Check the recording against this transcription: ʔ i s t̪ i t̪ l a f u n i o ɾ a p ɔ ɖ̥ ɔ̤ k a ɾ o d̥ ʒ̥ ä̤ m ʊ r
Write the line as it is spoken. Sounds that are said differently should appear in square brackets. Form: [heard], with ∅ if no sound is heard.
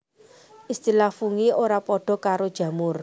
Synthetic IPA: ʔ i s t̪ i [∅] l a f u [ŋ] i o ɾ a p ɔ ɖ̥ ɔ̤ k a ɾ o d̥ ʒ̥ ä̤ m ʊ r

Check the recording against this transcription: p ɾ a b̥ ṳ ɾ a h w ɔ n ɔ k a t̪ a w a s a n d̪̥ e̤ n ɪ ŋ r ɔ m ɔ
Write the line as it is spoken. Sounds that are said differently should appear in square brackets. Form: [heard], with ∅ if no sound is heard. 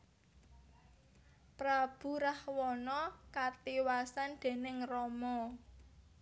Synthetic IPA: p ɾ a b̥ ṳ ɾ a h w ɔ n ɔ k a t̪ [i] w a s a n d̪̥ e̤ n ɪ ŋ r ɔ m ɔ

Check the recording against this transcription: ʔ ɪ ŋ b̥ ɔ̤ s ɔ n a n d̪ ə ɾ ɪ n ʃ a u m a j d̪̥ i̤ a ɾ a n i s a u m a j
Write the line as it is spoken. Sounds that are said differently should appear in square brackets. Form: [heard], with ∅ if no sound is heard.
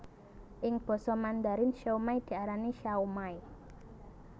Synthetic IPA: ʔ ɪ ŋ b̥ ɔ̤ s ɔ [m] a n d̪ [a] ɾ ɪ n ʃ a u m a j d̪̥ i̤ a ɾ a n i [ʃ] a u m a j

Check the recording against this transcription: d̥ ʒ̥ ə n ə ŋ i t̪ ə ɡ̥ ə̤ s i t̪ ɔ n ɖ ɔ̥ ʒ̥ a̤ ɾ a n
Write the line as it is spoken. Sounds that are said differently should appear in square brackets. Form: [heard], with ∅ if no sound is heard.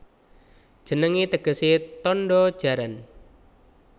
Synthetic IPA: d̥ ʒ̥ ə n ə ŋ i t̪ ə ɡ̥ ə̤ s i t̪ ɔ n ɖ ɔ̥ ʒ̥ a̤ ɾ a n

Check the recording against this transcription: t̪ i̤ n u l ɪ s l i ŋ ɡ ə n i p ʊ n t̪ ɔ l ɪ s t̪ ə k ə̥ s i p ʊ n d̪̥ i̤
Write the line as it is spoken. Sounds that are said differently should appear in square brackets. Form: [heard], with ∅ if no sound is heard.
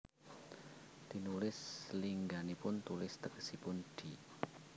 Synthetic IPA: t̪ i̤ n u l ɪ s l i ŋ ɡ [a] n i p ʊ n t̪ [u] l ɪ s t̪ ə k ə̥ s i p ʊ n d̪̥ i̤

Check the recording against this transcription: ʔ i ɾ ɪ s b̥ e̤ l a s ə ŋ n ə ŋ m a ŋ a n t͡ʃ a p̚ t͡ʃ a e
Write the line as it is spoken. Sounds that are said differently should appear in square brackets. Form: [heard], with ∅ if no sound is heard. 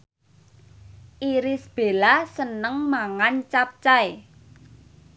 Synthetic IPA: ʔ i ɾ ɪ s b̥ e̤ l a s ə [∅] n ə ŋ m a ŋ a n t͡ʃ a p̚ t͡ʃ a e

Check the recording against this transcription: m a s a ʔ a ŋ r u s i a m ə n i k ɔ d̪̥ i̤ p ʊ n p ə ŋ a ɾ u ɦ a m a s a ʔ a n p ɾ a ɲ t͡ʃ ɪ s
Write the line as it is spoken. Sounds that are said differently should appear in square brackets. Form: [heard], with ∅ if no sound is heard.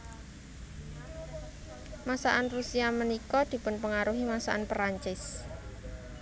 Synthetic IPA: m a s a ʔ a [n] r u s i a m ə n i k ɔ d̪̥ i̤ p ʊ n p ə ŋ a ɾ u ɦ [i] m a s a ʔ a n p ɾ a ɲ t͡ʃ ɪ s

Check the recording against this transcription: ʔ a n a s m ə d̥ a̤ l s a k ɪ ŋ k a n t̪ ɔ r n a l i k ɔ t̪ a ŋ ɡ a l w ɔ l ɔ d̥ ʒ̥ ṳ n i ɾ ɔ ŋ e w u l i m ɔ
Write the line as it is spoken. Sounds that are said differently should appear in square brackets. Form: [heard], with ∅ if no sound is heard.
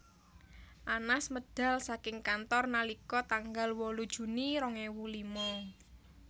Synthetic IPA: ʔ a n a s m ə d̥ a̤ l s a k ɪ ŋ k a n t̪ ɔ r n a l i k ɔ t̪ a ŋ ɡ a l w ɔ l [u] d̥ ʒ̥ ṳ n i ɾ ɔ ŋ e w u l i m ɔ

